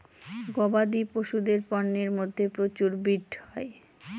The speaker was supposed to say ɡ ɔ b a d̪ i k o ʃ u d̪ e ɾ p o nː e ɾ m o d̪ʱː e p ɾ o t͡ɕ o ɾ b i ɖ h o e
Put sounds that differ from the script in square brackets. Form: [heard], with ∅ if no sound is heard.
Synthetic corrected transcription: ɡ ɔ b a d̪ i [p] o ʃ u d̪ e ɾ p [ɔ] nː e ɾ m o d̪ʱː e p ɾ o t͡ɕ [u] ɾ b i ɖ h [ɔ] e